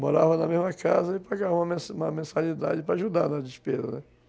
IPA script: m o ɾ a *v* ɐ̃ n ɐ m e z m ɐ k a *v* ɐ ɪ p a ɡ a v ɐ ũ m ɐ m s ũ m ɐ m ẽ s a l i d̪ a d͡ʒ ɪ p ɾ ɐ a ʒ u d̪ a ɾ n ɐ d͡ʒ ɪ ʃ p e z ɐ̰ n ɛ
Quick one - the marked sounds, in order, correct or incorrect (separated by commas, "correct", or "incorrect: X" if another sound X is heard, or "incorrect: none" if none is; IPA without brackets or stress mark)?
correct, incorrect: z